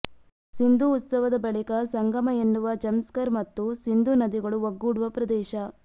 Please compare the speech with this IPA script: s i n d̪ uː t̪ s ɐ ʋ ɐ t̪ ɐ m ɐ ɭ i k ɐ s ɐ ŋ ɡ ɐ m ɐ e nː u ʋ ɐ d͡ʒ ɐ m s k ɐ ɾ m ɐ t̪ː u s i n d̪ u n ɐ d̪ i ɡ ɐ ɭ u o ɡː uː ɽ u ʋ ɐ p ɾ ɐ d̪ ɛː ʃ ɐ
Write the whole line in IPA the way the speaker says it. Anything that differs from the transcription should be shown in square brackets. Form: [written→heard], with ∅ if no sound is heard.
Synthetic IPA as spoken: s i n d̪ uː t̪ s ɐ ʋ ɐ [t̪→d̪] ɐ [m→b] ɐ ɭ i k ɐ s ɐ ŋ ɡ ɐ m ɐ e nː u ʋ ɐ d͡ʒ ɐ m s k ɐ ɾ m ɐ t̪ː u s i n d̪ u n ɐ d̪ i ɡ ɐ ɭ u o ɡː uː ɽ u ʋ ɐ p ɾ ɐ d̪ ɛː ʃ ɐ